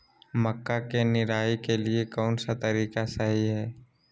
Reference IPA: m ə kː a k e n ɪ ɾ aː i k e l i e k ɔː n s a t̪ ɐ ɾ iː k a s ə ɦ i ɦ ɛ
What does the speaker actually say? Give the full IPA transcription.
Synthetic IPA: m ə kː a k e n ɪ ɾ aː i k e l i e k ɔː n s a t̪ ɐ ɾ iː k a s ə ɦ i ɦ ɛː